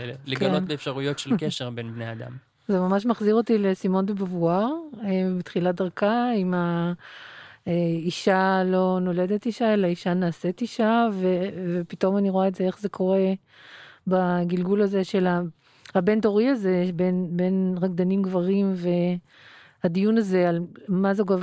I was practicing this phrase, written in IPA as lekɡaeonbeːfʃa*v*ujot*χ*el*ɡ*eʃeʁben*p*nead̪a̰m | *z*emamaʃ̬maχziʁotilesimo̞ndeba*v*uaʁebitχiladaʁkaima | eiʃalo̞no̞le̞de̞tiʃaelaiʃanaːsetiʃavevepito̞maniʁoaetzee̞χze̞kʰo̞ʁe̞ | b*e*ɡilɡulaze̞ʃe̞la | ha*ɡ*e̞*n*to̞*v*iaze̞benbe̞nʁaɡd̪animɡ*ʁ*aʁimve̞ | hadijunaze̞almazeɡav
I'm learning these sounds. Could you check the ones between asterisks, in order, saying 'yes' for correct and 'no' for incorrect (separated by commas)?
no, no, no, no, yes, yes, no, no, yes, no, no